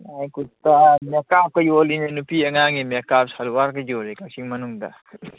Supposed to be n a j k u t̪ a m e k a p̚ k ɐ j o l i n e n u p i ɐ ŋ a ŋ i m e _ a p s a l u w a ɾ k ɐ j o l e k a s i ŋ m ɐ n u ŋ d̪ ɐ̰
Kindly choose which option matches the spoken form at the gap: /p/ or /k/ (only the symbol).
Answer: k